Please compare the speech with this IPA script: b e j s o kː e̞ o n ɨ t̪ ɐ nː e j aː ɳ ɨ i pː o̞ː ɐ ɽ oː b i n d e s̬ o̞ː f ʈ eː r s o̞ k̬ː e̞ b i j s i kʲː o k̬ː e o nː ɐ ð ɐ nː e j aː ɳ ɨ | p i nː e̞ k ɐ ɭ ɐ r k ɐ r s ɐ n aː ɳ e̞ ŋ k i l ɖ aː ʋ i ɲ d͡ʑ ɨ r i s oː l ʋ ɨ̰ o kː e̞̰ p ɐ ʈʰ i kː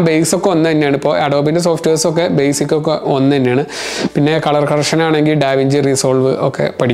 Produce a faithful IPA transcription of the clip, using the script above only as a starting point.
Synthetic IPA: b e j s o kː e̞ o nː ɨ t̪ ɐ nː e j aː ɳ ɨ i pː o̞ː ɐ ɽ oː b i n d e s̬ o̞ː f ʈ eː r s o̞ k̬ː e̞ b e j s i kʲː o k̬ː e o nː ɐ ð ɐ nː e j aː ɳ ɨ | p i nː e̞ k ɐ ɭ ɐ r k ɐ r ʂ ɐ n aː ɳ e̞ ŋ ɡ i l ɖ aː ʋ i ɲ d͡ʑ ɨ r i s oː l ʋ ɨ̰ o kː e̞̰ p ɐ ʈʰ i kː